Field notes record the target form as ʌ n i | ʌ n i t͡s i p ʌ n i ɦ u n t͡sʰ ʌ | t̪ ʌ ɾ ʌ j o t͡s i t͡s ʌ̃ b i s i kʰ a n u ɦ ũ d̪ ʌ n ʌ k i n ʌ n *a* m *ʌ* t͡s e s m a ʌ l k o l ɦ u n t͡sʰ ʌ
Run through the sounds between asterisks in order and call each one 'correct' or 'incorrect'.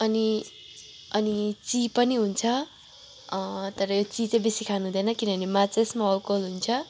incorrect, incorrect

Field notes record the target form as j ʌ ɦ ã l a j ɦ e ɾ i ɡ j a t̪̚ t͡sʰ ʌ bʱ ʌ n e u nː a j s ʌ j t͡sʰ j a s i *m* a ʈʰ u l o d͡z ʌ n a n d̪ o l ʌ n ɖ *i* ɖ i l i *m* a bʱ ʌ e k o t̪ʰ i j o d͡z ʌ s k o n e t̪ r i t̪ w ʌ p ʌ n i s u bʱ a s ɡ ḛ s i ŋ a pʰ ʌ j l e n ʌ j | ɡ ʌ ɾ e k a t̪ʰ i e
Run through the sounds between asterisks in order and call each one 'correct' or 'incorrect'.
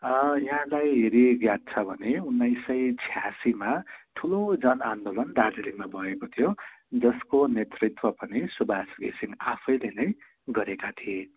correct, incorrect, correct

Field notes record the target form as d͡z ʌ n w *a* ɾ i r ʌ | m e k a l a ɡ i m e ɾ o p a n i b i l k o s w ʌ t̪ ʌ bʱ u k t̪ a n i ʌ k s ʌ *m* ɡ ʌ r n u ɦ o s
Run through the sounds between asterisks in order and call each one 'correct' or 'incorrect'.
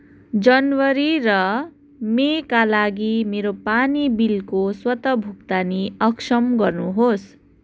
incorrect, correct

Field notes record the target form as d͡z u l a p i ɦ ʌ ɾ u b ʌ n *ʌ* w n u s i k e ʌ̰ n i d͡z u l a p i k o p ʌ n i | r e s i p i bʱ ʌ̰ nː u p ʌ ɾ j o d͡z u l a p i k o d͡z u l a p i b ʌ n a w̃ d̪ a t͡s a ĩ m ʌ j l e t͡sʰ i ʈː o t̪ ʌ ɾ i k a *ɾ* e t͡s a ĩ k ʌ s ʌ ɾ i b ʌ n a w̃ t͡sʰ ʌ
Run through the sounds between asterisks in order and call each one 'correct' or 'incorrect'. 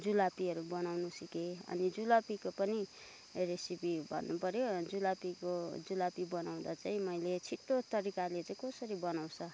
incorrect, incorrect

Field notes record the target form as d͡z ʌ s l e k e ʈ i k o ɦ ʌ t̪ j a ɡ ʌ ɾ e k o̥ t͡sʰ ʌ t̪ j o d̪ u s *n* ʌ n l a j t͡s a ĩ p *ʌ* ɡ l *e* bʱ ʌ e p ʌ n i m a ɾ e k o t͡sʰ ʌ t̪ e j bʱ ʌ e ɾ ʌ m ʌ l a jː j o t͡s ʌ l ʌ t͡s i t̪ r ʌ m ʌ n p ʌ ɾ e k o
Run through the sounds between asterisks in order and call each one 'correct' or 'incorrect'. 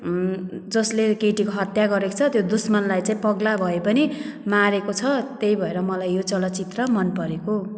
incorrect, correct, incorrect

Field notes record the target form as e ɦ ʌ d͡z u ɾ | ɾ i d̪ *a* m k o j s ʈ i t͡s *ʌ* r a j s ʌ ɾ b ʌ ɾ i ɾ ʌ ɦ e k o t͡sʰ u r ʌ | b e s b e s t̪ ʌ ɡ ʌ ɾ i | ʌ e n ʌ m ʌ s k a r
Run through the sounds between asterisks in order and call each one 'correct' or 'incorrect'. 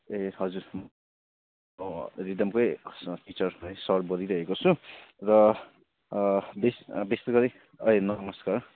incorrect, correct

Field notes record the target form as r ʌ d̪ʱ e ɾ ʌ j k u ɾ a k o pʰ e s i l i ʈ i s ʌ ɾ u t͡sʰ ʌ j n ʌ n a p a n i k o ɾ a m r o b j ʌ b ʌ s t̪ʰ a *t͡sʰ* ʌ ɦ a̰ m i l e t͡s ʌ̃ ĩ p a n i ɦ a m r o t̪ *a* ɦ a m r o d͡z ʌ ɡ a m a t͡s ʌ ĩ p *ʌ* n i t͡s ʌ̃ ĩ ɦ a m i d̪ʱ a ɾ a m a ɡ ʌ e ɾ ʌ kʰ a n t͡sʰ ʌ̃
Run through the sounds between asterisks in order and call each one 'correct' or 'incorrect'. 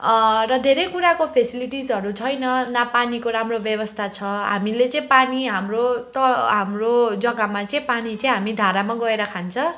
correct, incorrect, incorrect

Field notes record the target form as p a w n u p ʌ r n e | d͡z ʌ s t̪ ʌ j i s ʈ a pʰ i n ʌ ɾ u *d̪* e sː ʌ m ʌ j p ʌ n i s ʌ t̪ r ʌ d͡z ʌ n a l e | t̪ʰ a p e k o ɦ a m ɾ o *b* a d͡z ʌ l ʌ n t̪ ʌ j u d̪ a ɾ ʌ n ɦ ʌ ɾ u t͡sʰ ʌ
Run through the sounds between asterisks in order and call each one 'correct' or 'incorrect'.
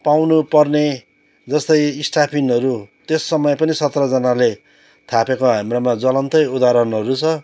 incorrect, incorrect

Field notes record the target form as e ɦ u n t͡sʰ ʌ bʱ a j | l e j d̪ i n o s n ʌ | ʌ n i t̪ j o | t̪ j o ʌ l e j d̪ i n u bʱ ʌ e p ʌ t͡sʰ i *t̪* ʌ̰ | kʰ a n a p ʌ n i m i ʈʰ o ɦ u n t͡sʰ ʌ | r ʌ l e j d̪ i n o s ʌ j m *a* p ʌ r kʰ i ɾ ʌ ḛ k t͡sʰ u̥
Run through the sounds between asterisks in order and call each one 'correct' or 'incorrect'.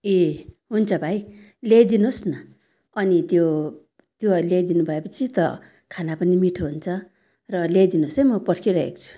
correct, incorrect

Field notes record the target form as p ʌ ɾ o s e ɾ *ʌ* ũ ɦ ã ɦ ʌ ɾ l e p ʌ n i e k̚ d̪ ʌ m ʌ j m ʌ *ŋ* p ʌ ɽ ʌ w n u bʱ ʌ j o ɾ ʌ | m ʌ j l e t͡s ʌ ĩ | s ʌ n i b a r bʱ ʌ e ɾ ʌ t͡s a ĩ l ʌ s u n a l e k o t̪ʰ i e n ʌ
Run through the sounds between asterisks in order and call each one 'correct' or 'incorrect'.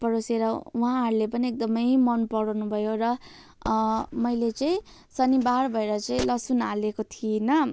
correct, incorrect

